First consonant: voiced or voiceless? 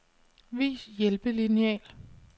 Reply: voiced